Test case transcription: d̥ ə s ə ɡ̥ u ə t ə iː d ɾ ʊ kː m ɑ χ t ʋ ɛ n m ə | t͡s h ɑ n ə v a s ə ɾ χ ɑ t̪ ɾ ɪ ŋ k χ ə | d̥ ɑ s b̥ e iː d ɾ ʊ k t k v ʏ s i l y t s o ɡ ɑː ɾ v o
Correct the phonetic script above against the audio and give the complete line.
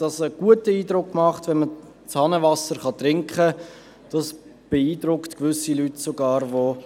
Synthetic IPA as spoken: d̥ ɑ s ə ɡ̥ u ə t ə iː d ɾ ʊ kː m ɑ χ t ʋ ɛ n m ə | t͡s h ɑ n ə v ɑ s ə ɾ χ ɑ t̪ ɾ ɪ ŋ k χ ə | d̥ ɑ s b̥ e iː d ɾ ʊ k t k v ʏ s i l y t s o ɡ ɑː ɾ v o